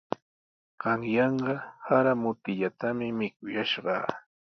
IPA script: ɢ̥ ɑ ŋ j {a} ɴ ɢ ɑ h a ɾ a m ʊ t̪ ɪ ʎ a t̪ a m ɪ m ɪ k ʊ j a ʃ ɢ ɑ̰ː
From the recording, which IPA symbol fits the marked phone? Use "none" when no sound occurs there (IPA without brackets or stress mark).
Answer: ɑ